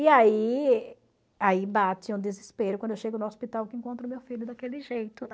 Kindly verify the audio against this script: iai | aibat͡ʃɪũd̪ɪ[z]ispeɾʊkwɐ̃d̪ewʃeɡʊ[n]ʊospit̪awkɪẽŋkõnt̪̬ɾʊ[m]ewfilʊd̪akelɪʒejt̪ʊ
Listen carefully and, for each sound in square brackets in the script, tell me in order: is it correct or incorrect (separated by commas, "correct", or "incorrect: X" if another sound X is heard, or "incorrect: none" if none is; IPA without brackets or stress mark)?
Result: correct, correct, correct